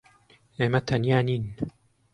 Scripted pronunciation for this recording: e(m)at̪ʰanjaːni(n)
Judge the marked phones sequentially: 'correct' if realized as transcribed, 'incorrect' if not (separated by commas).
correct, correct